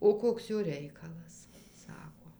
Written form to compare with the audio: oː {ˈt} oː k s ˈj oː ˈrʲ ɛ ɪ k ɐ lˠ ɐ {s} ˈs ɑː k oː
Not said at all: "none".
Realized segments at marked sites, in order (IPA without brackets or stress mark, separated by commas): k, s